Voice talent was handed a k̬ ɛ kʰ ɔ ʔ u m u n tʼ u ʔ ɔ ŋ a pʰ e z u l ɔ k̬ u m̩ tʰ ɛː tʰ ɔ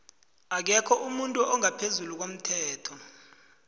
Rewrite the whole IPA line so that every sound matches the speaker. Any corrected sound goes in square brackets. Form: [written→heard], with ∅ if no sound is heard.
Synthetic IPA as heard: a k̬ ɛ kʰ ɔ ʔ u m u n tʼ u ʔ ɔ ŋ a pʰ e z u l [ɔ→u] k̬ [u→o] m̩ tʰ ɛː tʰ ɔ